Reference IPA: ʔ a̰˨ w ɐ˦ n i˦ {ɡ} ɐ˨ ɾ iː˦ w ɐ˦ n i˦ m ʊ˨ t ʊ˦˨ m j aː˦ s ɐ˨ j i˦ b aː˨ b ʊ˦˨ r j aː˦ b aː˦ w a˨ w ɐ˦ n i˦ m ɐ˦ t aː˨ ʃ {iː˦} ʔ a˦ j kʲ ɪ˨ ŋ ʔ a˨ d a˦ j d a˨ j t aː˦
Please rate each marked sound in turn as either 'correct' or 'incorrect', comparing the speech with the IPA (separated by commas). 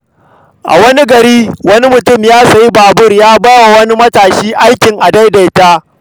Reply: correct, correct